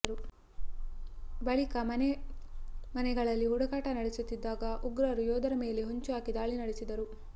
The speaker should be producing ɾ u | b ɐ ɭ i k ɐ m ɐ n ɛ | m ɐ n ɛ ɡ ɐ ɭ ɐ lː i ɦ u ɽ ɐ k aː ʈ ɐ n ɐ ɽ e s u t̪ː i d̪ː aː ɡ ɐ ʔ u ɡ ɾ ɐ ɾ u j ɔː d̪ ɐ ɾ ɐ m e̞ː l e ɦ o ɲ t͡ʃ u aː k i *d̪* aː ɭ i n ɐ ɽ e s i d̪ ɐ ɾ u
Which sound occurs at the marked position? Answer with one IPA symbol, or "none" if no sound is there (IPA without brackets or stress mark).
d̪